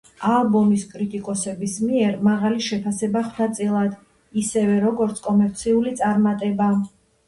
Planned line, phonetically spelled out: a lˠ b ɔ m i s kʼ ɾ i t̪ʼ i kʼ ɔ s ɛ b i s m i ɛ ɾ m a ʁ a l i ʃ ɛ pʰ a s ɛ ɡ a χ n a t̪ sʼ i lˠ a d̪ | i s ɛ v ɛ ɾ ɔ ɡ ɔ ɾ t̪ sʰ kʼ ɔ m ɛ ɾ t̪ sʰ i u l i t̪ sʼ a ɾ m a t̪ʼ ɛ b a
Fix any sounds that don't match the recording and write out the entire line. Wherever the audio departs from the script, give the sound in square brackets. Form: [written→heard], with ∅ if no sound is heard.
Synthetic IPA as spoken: a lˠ b ɔ m i s kʼ ɾ i t̪ʼ i kʼ ɔ s ɛ b i s m i ɛ ɾ m a ʁ a l i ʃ ɛ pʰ a s ɛ [ɡ→b] a χ n a t̪ sʼ i lˠ a d̪ | i s ɛ v ɛ ɾ ɔ ɡ ɔ ɾ t̪ sʰ kʼ ɔ m ɛ ɾ t̪ sʰ i u l i t̪ sʼ a ɾ m a t̪ʼ ɛ b a